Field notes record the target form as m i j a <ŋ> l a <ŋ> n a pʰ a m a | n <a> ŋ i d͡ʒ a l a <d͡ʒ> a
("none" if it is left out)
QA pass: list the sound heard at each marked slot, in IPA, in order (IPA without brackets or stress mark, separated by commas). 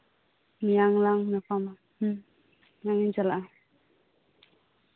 ŋ, ŋ, a, none